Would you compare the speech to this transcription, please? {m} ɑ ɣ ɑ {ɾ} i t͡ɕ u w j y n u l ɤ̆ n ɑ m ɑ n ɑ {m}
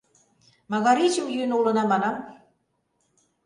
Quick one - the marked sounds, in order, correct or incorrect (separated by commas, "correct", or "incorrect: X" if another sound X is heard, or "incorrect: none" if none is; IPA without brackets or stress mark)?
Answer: correct, correct, correct